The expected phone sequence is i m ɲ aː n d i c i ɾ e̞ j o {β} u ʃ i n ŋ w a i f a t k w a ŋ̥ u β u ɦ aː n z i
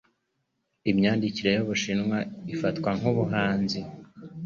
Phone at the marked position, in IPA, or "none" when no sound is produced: β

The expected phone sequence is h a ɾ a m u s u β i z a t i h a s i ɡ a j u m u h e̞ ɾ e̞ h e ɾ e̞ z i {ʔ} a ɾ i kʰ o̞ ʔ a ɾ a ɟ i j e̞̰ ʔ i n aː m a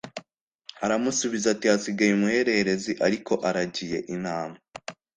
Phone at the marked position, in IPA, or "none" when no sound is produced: ʔ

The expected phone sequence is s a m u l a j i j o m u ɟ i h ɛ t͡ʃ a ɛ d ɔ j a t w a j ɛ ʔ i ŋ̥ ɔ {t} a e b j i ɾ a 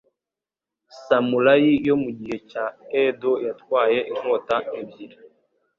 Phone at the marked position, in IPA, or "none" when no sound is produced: t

